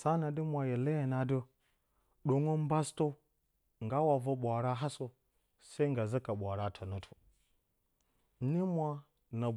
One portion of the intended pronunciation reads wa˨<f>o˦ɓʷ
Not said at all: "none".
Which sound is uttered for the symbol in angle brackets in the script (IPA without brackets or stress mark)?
v